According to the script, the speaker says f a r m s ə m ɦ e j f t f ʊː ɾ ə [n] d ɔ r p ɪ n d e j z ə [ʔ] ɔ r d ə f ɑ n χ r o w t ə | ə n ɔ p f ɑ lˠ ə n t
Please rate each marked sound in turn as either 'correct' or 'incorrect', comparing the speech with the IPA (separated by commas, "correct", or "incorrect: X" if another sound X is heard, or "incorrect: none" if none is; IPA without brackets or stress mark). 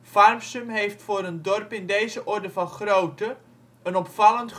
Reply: correct, correct